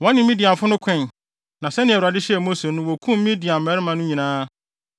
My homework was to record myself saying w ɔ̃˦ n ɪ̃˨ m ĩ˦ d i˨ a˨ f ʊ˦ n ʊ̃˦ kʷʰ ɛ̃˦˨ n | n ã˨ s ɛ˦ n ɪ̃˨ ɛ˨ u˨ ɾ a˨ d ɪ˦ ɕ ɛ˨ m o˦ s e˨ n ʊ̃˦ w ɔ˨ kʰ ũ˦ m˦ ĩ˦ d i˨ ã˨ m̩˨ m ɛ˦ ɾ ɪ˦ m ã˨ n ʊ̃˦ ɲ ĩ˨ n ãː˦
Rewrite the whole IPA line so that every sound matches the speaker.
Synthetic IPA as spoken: w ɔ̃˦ n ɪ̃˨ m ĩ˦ d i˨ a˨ f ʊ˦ n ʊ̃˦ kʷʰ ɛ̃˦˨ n | n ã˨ s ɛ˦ n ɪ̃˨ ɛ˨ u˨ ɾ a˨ d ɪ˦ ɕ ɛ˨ m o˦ s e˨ n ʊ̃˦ w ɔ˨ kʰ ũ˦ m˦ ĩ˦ d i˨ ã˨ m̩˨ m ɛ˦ ɾ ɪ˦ m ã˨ n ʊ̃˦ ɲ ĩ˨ n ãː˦